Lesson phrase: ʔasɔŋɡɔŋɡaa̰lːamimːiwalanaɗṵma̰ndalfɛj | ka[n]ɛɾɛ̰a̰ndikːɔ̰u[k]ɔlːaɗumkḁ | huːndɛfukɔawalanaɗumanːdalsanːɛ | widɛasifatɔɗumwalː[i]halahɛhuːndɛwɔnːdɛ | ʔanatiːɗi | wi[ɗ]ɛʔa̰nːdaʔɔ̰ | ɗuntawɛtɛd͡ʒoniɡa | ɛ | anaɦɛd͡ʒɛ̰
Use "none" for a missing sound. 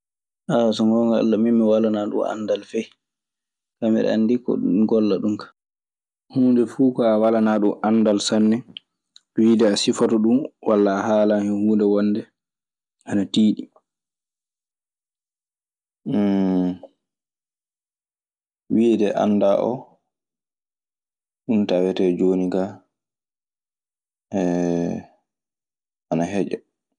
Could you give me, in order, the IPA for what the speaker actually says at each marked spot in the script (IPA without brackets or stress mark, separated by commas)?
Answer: m, ɡ, a, d